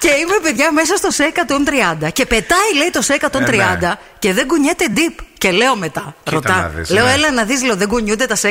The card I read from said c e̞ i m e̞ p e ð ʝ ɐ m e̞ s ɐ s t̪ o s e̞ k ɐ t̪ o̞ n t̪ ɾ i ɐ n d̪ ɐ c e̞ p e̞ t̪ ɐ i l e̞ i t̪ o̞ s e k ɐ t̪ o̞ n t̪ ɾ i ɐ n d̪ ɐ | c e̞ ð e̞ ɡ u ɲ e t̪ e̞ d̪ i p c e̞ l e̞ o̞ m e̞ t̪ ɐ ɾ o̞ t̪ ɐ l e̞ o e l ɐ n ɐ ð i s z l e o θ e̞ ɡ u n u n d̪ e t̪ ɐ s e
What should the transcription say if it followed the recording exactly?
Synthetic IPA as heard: c e̞ i m e̞ p e ð ʝ ɐ m e̞ s ɐ s t̪ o s e̞ k ɐ t̪ o̞ n t̪ ɾ i ɐ n d̪ ɐ c e̞ p e̞ t̪ ɐ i l e̞ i t̪ o̞ s e k ɐ t̪ o̞ n t̪ ɾ i ɐ n d̪ ɐ | c e̞ ð e̞ ɡ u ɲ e t̪ e̞ d̪ i p c e̞ l e̞ o̞ m e̞ t̪ ɐ ɾ o̞ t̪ ɐ l e̞ o e l ɐ n ɐ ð i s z l e o ð e̞ ɡ u ɲ u n d̪ e t̪ ɐ s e